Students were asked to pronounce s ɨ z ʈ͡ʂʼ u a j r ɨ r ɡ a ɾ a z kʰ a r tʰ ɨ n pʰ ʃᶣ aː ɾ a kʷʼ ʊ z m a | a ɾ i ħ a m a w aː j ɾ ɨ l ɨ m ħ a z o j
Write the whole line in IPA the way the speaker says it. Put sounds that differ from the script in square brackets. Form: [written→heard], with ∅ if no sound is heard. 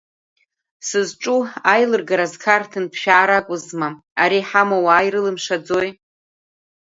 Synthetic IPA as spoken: s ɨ z ʈ͡ʂʼ u a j [r→l] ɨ r ɡ a ɾ a z kʰ a r tʰ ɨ n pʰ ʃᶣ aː ɾ a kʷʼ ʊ z m a | a ɾ i ħ a m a w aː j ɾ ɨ l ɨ m [ħ→ʂ] a [z→d͡z] o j